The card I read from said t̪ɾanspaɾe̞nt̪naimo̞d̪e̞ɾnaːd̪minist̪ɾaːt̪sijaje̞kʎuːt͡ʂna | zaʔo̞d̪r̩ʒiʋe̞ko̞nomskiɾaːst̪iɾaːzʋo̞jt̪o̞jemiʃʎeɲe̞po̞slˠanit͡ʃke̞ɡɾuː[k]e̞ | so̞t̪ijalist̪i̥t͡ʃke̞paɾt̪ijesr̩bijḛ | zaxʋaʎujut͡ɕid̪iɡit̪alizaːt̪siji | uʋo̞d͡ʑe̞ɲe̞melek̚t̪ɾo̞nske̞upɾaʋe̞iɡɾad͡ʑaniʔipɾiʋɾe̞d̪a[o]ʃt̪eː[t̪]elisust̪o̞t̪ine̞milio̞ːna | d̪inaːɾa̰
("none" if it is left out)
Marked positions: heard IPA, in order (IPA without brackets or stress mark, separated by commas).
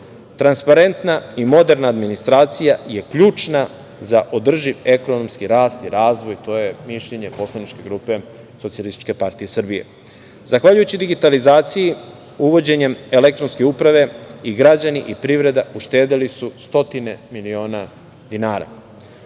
p, u, d̪